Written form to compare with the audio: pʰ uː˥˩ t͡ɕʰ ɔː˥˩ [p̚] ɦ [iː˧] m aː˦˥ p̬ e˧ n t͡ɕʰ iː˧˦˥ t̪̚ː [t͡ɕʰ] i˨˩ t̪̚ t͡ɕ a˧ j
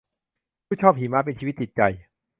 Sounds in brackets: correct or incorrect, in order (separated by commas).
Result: correct, incorrect, incorrect